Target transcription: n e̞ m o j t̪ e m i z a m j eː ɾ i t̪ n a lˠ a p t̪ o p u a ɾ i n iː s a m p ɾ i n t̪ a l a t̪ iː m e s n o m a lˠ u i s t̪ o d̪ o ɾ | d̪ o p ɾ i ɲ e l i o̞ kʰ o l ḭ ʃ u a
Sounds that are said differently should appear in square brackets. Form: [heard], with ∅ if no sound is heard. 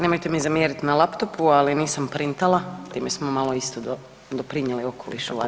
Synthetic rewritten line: n e̞ m o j t̪ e m i z a m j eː ɾ i t̪ n a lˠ a p t̪ o p u a [l] i n iː s a m p ɾ i n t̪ a l a t̪ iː m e s [m] o m a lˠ [o] i s t̪ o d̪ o [∅] | d̪ o p ɾ i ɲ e l i o̞ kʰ o l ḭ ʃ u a